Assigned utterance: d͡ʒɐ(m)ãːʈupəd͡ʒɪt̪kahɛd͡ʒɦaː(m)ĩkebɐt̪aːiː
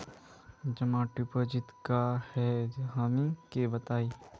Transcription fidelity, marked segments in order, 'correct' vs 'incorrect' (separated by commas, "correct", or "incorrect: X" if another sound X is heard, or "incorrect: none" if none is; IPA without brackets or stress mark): correct, correct